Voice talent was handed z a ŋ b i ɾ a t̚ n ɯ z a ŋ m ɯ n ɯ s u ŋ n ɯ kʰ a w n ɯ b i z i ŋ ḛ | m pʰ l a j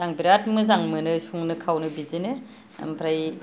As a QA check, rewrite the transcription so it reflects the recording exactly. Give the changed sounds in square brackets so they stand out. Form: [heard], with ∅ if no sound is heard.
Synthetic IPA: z a ŋ b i ɾ a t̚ [m] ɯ z a ŋ m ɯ n ɯ s u ŋ n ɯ kʰ a w n ɯ b i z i [n] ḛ | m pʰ [ɾ] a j